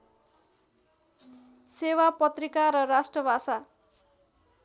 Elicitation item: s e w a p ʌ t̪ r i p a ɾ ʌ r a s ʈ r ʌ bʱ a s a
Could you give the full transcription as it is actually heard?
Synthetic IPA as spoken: s e w a p ʌ t̪ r i k a ɾ ʌ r a s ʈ r ʌ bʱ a s a